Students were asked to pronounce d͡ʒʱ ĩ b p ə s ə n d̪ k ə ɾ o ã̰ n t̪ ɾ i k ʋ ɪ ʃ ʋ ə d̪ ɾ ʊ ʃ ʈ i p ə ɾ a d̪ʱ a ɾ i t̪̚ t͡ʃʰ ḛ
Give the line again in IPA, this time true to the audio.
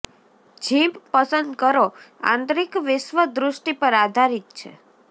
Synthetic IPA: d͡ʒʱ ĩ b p ə s ə n d̪ k ə ɾ o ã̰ n t̪ ɾ i k ʋ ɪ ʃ ʋ ə d̪ ɾ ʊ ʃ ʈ i p ə ɾ a d̪ʱ a ɾ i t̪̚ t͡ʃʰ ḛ